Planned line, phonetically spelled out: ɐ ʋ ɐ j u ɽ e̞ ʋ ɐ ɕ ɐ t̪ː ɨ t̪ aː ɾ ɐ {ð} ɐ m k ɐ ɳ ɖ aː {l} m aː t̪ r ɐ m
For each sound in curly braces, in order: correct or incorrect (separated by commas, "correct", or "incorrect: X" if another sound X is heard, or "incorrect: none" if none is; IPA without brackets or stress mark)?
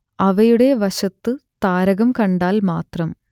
incorrect: ɣ, correct